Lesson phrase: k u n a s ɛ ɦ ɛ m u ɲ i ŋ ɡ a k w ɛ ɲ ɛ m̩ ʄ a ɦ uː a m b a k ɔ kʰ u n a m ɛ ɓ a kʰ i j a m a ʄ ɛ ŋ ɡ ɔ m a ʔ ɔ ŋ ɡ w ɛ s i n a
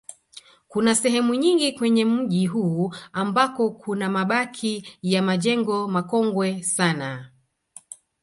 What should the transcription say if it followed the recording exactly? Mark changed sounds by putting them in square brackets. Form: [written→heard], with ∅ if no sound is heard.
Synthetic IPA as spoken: k u n a s ɛ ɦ ɛ m u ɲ i ŋ ɡ [a→i] k w ɛ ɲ ɛ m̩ ʄ [a→i] ɦ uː a m b a k ɔ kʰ u n a m [ɛ→a] ɓ a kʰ i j a m a ʄ ɛ ŋ ɡ ɔ m a [ʔ→k] ɔ ŋ ɡ w ɛ s [i→a] n a